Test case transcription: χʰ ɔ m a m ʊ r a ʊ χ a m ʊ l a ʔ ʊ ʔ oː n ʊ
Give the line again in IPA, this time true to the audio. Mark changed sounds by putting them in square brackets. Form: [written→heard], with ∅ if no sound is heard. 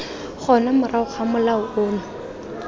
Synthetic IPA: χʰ ɔ [m→n] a m ʊ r a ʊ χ a m ʊ l a [ʔ→∅] ʊ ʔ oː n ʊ